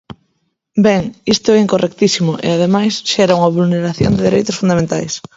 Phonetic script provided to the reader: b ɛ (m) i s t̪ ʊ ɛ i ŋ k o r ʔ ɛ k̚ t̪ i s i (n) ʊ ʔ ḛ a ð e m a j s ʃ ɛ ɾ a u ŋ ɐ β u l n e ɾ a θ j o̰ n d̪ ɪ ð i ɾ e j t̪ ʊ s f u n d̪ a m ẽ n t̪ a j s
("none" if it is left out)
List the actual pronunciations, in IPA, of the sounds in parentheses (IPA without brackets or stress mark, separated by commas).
ŋ, m